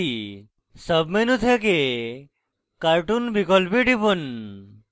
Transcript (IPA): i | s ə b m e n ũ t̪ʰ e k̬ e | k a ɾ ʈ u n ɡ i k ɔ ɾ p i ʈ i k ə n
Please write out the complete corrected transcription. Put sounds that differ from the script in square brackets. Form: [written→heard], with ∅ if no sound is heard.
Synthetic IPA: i | s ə b m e n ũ t̪ʰ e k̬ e | k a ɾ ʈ u n [ɡ→b] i k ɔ [ɾ→l] p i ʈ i [k→p] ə n